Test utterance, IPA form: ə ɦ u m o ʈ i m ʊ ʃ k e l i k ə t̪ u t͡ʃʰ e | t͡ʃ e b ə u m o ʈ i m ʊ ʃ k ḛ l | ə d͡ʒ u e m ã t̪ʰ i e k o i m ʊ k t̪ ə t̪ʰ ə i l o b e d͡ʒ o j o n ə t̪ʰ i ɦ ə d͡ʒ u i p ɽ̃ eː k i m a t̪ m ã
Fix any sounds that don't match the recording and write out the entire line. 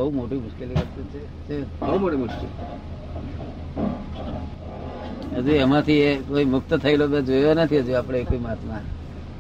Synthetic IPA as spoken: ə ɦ u m o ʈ i m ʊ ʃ k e l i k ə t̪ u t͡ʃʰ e | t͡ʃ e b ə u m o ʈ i m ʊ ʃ k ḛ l | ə d͡ʒ u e m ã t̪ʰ i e k o i m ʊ k t̪ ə t̪ʰ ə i l o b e d͡ʒ o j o n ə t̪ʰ i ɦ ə d͡ʒ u a p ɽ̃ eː k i m a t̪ m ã